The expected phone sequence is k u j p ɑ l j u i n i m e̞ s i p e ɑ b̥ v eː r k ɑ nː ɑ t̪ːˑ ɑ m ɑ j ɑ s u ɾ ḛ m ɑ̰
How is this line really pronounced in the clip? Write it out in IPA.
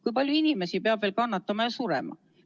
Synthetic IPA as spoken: k u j p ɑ l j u i n i m e̞ s i p e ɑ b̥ v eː l k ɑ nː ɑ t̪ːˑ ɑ m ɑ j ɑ s u ɾ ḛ m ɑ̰